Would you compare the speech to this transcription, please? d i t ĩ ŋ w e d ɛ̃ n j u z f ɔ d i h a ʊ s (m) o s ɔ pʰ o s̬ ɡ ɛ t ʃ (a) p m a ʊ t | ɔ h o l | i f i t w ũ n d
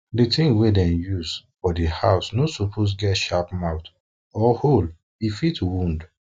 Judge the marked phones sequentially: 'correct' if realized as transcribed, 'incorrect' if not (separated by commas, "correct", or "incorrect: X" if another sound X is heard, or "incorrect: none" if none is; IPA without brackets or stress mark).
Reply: incorrect: n, correct